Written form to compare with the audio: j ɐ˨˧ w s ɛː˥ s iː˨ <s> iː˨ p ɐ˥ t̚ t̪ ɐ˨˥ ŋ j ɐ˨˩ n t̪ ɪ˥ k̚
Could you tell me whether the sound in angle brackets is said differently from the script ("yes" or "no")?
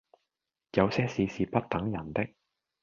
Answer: no